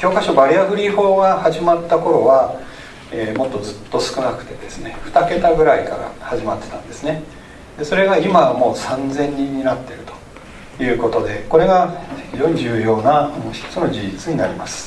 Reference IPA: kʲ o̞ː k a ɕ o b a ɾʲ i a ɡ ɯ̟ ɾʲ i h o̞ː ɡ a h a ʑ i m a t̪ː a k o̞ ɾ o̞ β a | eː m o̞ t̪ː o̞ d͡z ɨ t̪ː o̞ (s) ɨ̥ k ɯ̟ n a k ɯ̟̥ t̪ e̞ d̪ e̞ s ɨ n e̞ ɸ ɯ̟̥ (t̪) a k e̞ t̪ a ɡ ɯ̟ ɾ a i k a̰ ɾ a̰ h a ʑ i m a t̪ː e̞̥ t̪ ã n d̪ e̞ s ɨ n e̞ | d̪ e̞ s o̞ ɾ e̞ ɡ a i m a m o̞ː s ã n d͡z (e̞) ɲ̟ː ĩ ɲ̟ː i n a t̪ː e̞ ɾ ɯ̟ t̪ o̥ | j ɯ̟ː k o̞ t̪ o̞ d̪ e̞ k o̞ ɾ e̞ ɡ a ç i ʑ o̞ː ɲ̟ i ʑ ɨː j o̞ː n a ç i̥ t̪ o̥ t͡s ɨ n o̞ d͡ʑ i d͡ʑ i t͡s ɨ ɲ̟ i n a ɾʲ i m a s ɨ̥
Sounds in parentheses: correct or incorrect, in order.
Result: correct, correct, incorrect: ẽ̞

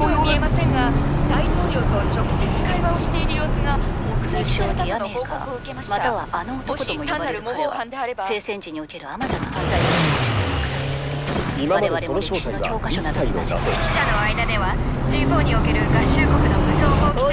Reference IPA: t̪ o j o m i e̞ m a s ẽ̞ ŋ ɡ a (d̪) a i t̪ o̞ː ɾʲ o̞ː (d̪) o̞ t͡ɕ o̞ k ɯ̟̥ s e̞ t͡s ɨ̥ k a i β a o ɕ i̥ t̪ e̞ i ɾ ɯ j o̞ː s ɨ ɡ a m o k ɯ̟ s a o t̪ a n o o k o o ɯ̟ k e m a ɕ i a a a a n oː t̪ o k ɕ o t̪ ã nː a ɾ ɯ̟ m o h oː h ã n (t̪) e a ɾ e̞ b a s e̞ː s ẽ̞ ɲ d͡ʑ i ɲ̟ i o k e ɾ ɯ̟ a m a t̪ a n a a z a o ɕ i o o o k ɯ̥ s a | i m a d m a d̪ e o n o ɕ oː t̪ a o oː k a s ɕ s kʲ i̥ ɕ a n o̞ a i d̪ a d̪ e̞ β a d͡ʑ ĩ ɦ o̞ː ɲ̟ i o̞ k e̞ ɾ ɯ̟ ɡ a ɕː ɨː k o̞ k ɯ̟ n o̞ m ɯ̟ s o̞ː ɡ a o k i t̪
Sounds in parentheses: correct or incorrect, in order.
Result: correct, incorrect: t̪, incorrect: d̪

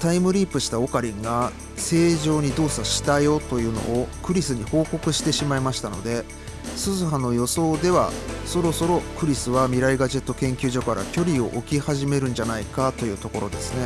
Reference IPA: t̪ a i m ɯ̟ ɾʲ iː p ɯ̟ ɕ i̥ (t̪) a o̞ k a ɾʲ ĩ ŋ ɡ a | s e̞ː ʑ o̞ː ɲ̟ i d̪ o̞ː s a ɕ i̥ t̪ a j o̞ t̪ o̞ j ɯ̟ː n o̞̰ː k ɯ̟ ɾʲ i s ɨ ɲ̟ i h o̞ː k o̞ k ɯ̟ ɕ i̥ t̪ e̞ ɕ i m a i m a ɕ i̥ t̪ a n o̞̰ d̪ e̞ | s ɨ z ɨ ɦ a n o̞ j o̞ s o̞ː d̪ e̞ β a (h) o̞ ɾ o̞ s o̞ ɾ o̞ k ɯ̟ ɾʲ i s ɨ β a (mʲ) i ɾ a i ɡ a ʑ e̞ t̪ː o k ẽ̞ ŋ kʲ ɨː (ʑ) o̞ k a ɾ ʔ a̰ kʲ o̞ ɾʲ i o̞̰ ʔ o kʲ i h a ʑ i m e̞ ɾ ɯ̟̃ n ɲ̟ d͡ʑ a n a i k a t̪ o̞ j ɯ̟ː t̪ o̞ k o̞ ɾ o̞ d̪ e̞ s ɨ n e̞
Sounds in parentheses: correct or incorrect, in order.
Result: correct, incorrect: s, correct, correct

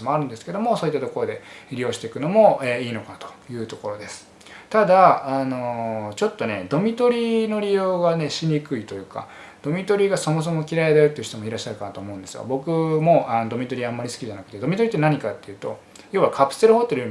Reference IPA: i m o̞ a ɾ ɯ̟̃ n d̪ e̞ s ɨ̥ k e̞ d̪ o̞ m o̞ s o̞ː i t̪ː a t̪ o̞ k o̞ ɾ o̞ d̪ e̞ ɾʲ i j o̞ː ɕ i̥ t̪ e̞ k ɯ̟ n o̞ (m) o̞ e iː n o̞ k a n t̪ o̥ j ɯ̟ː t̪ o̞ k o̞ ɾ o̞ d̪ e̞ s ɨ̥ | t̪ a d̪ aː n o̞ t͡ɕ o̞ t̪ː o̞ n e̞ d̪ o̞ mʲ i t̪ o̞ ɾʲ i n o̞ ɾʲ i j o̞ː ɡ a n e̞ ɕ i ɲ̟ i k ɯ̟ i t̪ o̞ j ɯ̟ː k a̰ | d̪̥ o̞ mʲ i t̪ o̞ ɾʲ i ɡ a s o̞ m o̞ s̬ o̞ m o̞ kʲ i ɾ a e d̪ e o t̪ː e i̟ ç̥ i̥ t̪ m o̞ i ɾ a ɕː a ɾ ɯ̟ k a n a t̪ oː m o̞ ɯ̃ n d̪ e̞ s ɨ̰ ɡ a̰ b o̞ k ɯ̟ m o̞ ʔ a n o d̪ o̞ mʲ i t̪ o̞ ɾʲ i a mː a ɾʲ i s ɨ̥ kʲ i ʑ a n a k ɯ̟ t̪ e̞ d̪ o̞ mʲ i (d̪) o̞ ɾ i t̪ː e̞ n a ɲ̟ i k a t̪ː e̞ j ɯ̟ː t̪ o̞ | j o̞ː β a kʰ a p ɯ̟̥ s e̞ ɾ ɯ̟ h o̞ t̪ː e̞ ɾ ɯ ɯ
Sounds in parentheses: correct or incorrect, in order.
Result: correct, incorrect: t̪

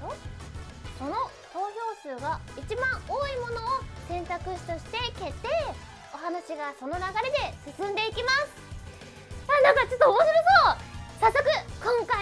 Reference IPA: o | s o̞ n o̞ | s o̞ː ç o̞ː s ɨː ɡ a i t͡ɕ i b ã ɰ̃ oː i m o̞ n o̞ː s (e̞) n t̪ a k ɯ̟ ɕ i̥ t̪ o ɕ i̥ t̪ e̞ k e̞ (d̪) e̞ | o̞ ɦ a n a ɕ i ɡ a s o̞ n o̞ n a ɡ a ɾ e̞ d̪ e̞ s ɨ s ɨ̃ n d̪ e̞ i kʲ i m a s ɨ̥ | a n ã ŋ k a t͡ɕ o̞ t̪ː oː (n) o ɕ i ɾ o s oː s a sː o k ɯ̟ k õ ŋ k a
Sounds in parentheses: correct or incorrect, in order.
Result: incorrect: ẽ̞, incorrect: t̪, incorrect: m

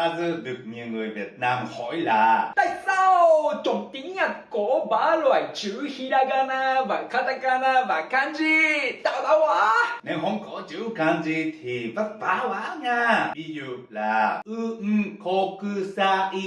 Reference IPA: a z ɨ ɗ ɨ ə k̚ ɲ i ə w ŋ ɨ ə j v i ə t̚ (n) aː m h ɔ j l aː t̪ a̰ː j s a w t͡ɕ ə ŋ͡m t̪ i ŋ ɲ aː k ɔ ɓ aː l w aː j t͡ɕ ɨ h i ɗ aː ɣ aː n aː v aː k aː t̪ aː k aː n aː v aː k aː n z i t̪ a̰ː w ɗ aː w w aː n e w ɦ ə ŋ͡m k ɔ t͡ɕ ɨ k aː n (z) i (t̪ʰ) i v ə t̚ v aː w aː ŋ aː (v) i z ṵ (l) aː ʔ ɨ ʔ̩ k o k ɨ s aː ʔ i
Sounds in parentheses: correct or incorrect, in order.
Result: correct, correct, correct, correct, correct

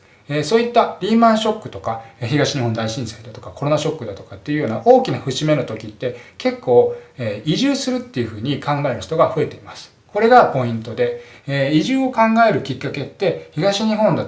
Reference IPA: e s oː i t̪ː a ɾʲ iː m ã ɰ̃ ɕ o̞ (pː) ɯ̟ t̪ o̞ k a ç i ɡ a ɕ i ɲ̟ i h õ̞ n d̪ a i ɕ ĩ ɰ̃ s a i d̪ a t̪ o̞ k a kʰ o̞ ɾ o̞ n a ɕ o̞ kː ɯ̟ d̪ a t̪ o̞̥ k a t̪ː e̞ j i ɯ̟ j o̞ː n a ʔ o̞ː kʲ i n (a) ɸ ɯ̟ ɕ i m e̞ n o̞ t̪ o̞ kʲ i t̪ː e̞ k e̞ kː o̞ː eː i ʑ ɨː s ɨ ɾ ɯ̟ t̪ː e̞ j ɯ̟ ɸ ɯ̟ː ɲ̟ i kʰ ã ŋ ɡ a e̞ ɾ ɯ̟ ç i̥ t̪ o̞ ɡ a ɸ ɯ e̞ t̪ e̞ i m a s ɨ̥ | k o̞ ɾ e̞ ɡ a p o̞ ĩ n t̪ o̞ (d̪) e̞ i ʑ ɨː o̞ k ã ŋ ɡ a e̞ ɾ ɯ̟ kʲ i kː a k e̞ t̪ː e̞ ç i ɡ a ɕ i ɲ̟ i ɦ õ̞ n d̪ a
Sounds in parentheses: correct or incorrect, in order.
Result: incorrect: kː, correct, correct

